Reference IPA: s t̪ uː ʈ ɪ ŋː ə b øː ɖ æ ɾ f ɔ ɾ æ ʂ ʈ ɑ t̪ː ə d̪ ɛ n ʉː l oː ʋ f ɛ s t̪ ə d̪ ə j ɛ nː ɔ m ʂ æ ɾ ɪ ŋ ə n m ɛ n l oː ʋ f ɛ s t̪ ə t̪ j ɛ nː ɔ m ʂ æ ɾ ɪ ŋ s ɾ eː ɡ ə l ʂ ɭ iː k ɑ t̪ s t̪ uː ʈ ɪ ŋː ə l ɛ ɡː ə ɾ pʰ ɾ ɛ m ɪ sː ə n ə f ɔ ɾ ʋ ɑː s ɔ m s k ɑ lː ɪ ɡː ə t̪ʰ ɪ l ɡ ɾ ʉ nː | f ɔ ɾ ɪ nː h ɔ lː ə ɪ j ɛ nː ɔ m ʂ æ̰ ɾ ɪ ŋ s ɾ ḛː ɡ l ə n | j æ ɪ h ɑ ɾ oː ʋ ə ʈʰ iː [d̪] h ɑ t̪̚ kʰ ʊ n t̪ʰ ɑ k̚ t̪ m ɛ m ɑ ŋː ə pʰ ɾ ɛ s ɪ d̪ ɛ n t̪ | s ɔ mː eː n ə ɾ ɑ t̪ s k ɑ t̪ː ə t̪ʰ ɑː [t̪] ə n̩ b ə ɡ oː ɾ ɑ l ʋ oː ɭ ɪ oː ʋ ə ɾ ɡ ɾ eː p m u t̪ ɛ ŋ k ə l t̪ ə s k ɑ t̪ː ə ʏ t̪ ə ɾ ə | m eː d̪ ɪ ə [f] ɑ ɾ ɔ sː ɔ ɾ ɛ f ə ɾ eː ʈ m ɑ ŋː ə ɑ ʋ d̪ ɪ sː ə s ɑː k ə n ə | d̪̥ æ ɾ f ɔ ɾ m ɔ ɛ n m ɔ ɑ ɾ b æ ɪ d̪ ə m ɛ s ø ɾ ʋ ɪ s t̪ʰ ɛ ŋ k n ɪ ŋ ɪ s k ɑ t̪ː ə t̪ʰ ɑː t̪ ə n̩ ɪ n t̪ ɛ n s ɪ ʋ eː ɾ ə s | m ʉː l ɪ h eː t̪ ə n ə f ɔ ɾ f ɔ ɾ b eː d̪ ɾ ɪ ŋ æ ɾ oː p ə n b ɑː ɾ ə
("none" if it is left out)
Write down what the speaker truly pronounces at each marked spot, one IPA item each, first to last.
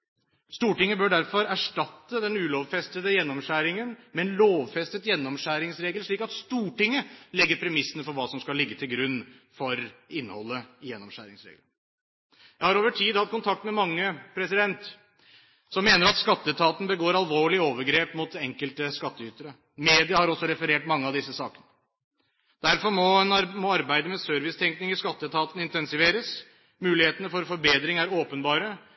d̪, t̪, h

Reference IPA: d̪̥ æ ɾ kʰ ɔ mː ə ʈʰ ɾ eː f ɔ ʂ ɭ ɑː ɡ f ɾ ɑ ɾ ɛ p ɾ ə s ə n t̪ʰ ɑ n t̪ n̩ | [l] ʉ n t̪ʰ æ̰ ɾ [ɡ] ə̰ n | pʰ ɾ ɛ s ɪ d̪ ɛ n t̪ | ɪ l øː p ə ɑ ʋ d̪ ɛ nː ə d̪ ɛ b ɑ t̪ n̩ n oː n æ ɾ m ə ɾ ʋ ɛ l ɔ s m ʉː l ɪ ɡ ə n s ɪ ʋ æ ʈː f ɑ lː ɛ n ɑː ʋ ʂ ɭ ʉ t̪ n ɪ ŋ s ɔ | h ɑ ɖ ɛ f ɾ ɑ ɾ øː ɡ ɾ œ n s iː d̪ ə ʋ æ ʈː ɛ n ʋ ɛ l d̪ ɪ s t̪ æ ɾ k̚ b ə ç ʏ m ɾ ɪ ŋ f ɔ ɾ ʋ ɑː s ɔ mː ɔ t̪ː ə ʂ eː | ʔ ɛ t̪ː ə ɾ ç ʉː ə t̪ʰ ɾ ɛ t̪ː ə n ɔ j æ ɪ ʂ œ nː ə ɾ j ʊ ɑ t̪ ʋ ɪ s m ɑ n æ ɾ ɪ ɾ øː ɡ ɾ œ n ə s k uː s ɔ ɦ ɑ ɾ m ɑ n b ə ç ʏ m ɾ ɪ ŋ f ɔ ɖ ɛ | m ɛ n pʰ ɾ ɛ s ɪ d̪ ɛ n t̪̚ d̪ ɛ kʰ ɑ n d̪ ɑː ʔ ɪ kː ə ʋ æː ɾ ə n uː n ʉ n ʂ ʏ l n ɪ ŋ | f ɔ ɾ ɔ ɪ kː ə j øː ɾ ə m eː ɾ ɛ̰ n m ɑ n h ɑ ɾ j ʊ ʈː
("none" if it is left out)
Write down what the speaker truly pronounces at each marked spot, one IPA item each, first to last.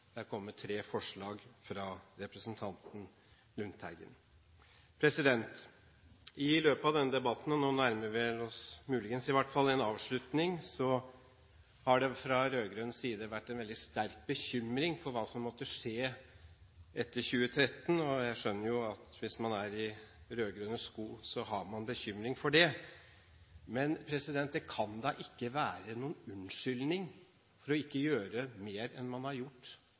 l, ɡ

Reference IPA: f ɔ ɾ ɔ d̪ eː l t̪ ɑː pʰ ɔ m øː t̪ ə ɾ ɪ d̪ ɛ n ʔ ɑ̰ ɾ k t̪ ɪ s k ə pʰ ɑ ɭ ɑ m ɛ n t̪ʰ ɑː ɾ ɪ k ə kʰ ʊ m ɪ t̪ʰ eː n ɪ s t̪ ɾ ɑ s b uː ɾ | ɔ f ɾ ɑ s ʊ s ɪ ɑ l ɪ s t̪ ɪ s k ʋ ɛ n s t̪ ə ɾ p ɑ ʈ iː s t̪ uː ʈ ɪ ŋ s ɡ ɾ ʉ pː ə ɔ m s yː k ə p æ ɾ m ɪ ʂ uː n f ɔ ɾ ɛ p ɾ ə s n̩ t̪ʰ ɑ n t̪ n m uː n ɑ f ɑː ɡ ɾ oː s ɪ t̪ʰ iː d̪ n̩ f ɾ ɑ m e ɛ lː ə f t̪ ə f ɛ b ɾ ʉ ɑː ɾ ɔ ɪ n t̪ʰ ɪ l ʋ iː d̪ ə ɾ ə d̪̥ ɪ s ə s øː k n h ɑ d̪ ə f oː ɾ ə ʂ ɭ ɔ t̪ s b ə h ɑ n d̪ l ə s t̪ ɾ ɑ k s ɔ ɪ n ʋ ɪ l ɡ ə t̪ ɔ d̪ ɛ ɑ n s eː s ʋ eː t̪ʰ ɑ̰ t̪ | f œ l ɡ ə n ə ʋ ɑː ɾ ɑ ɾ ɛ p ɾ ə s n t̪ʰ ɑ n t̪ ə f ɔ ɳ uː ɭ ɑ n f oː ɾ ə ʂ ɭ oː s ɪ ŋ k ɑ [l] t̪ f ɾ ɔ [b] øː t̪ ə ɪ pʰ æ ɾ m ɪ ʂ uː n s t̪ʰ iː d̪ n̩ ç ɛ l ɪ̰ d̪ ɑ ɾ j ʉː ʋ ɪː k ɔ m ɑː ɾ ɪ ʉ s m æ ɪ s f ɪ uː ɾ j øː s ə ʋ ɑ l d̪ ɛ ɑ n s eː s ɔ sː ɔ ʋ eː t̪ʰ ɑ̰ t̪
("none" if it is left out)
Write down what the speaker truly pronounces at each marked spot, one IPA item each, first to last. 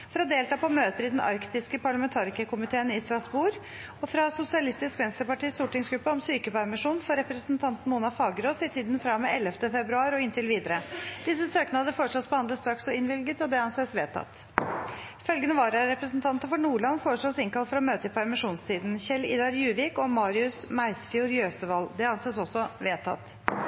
l, m

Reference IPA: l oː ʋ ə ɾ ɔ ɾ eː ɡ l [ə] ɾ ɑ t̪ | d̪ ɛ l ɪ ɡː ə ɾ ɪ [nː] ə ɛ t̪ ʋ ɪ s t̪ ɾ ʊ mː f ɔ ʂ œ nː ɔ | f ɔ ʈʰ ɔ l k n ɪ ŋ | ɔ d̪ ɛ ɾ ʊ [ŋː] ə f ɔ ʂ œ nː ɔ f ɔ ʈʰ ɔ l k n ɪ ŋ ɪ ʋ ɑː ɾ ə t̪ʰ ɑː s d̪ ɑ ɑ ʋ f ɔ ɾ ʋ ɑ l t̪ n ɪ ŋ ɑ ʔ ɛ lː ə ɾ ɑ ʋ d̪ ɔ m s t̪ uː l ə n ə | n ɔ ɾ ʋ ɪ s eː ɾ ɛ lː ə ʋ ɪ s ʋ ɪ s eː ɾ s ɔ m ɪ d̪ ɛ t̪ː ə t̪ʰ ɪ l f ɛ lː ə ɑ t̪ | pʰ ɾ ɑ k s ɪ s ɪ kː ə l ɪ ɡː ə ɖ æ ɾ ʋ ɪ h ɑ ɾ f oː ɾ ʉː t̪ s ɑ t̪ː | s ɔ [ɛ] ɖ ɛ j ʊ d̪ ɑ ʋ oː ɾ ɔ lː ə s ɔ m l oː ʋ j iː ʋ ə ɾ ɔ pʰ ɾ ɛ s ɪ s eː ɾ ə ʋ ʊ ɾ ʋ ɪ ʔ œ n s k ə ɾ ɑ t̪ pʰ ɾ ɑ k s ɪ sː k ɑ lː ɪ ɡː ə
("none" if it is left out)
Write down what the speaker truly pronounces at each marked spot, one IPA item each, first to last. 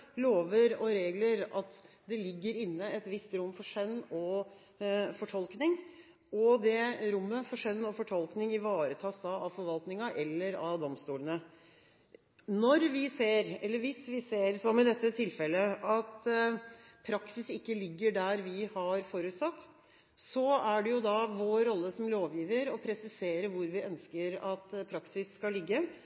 ə, nː, mː, æ

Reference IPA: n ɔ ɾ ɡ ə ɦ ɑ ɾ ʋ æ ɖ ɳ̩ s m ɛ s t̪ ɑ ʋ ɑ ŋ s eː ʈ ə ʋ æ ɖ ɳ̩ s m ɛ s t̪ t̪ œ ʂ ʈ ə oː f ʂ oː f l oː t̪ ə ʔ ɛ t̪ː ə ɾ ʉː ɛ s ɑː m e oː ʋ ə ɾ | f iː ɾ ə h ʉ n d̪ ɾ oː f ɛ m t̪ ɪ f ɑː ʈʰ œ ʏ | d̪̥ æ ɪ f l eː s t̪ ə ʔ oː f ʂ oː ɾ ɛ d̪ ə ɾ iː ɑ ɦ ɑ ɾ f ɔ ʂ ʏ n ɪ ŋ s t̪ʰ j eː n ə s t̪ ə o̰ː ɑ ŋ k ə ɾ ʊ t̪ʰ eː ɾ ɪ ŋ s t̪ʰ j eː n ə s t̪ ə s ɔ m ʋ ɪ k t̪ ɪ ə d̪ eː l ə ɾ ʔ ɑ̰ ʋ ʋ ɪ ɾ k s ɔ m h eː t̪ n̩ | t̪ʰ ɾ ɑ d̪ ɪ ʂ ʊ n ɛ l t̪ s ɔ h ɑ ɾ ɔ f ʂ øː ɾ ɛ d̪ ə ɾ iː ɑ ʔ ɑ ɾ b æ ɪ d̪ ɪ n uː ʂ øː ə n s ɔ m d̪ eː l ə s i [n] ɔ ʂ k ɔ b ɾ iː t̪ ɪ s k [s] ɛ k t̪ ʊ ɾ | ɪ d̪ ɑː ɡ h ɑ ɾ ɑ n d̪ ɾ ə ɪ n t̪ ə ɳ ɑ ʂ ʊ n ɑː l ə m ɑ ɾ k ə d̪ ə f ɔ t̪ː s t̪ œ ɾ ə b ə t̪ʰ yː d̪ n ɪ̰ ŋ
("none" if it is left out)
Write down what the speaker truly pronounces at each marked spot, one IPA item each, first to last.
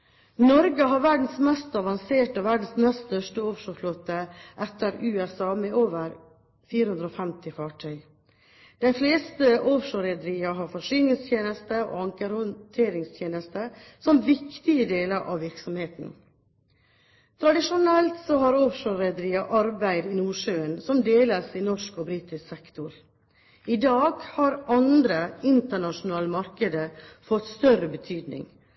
n, s

